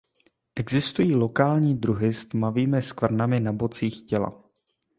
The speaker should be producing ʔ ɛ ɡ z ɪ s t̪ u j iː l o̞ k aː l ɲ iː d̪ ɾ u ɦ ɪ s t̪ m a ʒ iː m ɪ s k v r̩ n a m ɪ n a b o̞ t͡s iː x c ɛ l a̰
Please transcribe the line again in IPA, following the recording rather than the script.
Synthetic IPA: ʔ ɛ ɡ z ɪ s t̪ u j iː l o̞ k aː l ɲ iː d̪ ɾ u ɦ ɪ s t̪ m a v iː m ɪ s k v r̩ n a m ɪ n a b o̞ t͡s iː x c ɛ l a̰